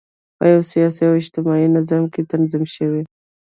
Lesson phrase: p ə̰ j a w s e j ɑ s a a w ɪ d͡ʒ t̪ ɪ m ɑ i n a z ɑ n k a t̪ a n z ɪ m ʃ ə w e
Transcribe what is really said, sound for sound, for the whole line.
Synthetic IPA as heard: p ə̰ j a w s i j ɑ s i a w ɪ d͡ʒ t̪ ɪ m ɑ i n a z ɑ m k e t̪ a n z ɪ m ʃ ə w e